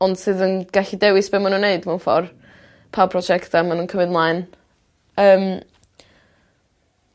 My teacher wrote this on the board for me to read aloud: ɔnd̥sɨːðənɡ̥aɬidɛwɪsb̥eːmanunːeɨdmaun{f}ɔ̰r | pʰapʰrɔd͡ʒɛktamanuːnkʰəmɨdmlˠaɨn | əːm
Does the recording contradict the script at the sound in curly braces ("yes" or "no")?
no